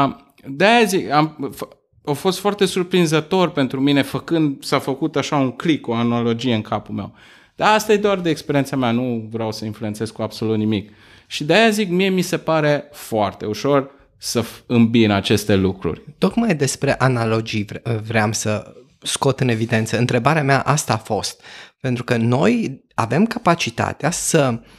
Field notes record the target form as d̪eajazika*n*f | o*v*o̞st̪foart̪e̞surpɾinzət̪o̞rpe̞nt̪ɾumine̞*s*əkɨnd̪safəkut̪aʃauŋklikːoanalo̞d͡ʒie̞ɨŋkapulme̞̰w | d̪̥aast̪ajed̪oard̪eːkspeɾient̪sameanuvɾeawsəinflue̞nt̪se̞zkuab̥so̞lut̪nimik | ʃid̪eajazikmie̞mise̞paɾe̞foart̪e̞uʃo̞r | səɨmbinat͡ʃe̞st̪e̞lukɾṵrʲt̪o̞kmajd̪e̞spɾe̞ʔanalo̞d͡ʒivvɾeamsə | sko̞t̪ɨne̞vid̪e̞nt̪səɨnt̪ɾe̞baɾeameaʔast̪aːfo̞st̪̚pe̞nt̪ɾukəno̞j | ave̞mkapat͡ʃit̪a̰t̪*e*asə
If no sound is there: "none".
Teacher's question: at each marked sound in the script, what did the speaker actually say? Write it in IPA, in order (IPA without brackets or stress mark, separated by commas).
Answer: m, f, f, e